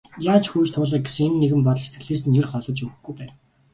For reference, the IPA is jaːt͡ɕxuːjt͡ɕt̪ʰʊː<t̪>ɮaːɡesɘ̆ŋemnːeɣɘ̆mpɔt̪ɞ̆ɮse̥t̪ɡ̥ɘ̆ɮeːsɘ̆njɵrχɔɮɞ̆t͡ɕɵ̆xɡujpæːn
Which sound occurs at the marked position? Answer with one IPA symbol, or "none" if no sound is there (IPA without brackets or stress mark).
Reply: none